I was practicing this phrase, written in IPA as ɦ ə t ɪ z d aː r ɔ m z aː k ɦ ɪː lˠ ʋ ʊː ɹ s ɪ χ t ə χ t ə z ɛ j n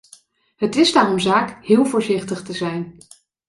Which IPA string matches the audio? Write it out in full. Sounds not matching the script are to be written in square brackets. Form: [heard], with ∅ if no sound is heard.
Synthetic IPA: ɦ ə t ɪ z d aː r ɔ m z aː k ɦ ɪː lˠ [v] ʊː ɹ [z] ɪ χ t ə χ t ə z ɛ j n

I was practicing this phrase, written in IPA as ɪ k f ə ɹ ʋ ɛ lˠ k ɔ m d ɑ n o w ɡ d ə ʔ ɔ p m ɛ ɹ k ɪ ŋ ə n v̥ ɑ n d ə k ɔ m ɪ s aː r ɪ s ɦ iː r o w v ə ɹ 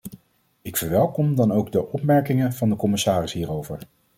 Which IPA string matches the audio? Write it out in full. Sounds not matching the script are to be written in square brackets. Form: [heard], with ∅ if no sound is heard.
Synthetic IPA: ɪ k f ə ɹ ʋ ɛ lˠ k ɔ m d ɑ n o w ɡ d ə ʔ ɔ p m ɛ ɹ k ɪ ŋ ə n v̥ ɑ n d ə k ɔ m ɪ s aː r ɪ s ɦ iː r o w v ə ɹ

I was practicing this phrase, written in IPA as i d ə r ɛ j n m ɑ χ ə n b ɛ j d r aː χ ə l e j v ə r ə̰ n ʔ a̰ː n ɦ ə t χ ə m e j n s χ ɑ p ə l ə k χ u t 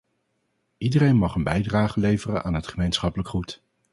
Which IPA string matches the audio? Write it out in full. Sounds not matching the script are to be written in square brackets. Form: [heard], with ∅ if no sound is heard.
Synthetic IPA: i d ə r [e] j n m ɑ χ ə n b ɛ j d r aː χ ə l e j v ə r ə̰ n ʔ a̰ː n ɦ ə t χ ə m e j n s χ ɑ p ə l ə k χ u t

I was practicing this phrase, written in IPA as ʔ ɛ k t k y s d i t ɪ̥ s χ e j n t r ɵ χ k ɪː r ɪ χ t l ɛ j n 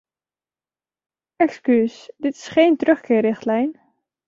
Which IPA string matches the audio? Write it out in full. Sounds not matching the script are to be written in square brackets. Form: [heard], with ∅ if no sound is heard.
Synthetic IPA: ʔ ɛ k [s] k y s d [ɪ] t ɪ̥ s χ e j n t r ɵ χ k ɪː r ɪ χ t l ɛ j n

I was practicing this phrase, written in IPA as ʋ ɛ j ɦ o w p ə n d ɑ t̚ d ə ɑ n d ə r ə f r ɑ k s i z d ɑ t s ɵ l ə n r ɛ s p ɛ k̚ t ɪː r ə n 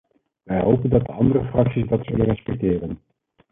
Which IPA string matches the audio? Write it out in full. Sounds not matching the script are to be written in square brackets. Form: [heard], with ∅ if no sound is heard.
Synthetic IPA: ʋ ɛ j ɦ o w p ə n d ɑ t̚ d ə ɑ n d ə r ə f r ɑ k s i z d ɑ t s ɵ l ə n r ɛ s p ɛ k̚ t ɪː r ə n

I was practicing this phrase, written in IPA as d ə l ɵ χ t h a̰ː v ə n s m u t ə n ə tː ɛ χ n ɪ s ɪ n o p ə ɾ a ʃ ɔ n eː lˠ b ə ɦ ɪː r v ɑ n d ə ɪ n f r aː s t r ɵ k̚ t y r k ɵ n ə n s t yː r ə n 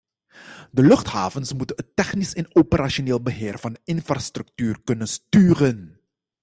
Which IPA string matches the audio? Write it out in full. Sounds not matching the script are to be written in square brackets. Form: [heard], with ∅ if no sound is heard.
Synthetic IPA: d ə l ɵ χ t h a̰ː v ə n s m u t ə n ə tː ɛ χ n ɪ s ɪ n o p ə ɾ a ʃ [o] n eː lˠ b ə ɦ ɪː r v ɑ n d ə ɪ n f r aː s t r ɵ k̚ t [yː] r k ɵ n ə n s t yː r ə n

